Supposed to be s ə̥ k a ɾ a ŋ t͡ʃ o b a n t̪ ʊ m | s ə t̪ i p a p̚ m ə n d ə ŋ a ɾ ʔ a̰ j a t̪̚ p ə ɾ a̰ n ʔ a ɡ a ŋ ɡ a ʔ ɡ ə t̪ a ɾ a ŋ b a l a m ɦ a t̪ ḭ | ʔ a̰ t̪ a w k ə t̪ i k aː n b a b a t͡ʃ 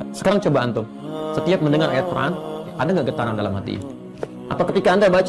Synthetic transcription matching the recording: s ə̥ k a ɾ a ŋ t͡ʃ o b a n t̪ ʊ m | s ə t̪ i a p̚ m ə n d ə ŋ a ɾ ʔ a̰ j a t̪̚ p ə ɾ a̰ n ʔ a d a ŋ ɡ a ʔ ɡ ə t̪ a ɾ a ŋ d a l a m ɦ a t̪ ḭ | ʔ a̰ t̪ a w k ə t̪ i k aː n d a b a t͡ʃ